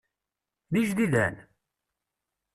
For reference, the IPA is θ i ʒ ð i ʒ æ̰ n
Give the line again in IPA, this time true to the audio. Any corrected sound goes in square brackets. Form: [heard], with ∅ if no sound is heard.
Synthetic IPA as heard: [ð] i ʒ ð i [ð] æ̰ n